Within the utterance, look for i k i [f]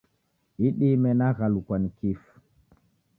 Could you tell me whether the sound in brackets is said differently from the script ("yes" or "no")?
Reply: no